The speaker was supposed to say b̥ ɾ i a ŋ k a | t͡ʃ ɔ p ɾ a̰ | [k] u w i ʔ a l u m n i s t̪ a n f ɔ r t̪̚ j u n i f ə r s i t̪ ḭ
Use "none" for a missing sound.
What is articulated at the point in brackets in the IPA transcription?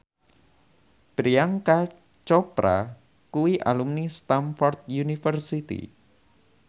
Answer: k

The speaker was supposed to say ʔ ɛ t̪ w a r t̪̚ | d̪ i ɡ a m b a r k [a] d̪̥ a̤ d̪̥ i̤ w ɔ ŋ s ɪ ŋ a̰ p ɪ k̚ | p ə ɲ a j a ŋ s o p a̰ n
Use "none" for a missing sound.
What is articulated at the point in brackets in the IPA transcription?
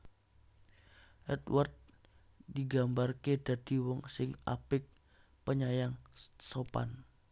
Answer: e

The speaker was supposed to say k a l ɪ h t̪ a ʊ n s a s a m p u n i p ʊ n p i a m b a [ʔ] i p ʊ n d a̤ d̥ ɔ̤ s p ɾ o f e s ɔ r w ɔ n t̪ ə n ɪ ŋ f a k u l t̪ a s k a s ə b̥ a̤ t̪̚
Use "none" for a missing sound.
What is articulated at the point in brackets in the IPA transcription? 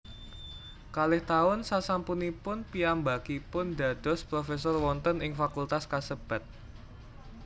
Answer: k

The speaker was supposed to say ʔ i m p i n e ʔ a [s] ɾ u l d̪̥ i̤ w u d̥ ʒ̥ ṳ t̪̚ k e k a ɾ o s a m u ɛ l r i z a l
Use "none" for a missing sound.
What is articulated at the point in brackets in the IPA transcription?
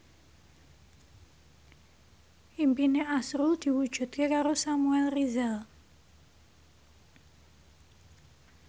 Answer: s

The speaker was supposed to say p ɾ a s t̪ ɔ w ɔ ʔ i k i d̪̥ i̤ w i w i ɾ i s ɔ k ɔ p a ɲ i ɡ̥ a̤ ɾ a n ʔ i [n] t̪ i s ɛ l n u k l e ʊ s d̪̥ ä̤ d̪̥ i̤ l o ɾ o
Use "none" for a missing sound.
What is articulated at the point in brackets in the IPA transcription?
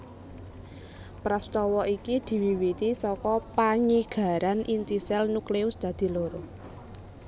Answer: n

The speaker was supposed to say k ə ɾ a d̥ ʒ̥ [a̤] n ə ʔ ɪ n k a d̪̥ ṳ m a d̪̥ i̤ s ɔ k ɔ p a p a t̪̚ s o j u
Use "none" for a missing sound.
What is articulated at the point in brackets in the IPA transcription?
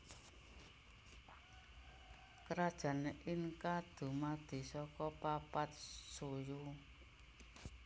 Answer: a̤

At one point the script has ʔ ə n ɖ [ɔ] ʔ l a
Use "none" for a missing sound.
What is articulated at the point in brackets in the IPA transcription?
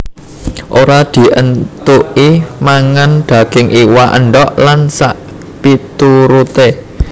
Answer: ɔ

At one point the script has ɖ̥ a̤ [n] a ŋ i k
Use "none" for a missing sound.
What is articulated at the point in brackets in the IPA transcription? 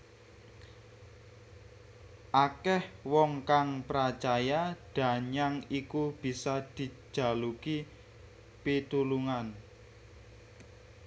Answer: ɲ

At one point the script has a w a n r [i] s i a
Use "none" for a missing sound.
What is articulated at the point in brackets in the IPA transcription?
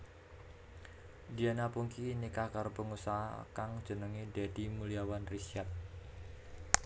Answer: i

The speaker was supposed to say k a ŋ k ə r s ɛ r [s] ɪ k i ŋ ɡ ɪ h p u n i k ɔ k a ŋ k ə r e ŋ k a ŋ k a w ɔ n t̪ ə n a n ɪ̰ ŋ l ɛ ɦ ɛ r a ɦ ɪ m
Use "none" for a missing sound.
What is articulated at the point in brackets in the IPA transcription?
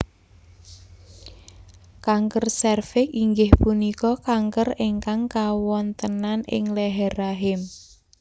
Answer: f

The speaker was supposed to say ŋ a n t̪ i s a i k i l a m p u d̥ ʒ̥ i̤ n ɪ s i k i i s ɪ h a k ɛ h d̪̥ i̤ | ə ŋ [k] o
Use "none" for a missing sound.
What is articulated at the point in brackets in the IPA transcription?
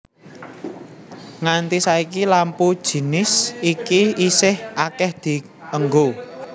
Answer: ɡ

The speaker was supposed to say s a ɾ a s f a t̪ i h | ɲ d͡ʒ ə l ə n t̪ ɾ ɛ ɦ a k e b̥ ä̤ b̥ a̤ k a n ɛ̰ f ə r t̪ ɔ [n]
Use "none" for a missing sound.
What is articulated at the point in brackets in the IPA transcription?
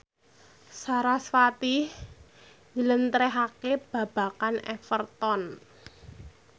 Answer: n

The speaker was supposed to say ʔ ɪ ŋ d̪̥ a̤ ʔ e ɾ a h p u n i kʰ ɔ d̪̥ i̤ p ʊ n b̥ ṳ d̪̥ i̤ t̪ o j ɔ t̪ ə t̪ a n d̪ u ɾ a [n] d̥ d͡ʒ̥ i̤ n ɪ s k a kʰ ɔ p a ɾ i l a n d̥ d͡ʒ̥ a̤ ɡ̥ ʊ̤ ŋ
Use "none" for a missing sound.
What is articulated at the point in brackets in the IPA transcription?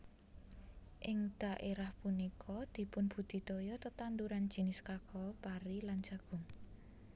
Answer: n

